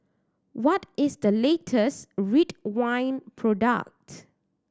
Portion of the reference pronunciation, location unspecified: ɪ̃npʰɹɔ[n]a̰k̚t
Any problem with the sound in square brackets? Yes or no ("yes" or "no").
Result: yes